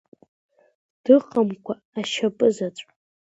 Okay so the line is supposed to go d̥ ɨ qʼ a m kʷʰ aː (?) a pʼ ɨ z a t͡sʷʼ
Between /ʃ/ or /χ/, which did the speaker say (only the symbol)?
ʃ